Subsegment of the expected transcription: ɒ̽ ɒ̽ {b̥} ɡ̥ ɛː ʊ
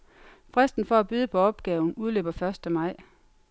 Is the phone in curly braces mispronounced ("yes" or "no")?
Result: no